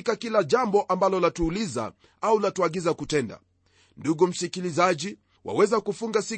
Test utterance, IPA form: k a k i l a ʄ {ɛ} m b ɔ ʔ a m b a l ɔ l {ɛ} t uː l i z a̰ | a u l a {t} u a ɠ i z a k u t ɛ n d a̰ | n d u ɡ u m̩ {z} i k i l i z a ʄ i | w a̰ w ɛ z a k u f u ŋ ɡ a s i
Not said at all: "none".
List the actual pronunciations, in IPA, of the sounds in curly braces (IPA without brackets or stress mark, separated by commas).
a, a, t, s